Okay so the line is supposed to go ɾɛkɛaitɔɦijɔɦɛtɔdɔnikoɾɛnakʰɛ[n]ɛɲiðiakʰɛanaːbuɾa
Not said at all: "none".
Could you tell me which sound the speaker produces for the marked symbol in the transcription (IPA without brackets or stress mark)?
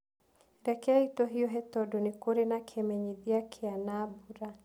m